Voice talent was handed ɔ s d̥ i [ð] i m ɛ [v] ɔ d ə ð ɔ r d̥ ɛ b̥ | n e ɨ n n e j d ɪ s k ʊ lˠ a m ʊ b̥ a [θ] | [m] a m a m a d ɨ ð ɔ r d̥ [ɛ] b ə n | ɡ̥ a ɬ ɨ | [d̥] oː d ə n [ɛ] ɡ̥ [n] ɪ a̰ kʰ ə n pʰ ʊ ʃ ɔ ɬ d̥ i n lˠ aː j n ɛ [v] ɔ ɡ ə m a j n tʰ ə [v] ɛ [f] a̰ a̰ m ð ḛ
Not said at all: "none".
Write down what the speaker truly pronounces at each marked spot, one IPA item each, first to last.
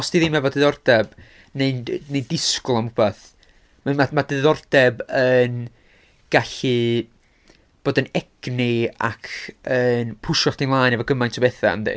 ð, v, θ, m, ɛ, b̥, ɛ, n, v, b, θ

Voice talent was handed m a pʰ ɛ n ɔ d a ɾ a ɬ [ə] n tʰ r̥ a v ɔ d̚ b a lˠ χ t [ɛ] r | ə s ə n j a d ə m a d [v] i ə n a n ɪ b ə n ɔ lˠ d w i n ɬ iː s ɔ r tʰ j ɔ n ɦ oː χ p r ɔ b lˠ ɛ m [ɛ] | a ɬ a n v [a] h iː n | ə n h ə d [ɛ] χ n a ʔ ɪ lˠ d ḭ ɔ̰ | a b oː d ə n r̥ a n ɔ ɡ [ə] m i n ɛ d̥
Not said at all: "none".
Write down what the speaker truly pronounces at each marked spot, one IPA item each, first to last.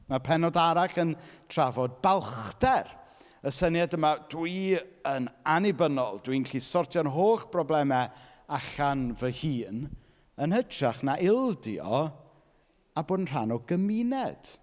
ə, ɛ, w, ɛ, ə, a, ə

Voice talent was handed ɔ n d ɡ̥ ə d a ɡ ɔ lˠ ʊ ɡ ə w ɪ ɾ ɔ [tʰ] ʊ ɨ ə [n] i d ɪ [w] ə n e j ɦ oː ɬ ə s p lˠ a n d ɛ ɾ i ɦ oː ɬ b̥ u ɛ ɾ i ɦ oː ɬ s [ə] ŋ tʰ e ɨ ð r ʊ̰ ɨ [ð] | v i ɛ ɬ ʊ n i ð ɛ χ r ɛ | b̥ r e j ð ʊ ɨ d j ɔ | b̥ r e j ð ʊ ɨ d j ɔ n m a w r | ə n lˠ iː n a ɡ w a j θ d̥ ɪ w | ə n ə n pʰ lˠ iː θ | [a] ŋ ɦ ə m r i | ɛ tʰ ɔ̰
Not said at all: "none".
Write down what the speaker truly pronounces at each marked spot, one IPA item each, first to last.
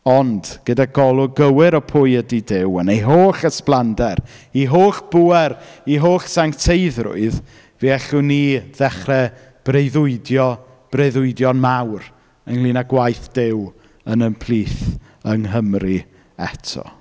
pʰ, d, w, a, ð, ə

